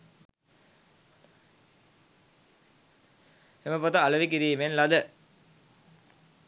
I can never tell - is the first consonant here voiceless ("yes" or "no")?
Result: no